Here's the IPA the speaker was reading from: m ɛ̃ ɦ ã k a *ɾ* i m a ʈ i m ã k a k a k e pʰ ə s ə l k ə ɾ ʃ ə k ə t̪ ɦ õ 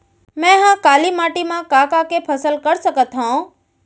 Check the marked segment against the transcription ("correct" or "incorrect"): incorrect